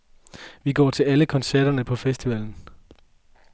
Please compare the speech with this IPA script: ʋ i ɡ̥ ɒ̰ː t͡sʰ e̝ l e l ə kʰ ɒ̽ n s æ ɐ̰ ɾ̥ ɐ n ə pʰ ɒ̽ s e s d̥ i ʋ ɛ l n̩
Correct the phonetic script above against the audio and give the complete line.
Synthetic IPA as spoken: ʋ i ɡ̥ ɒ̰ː t͡sʰ e̝ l æ l ə kʰ ɒ̽ n s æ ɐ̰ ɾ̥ ɐ n ə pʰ ɒ̽ f e s d̥ i ʋ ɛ l n̩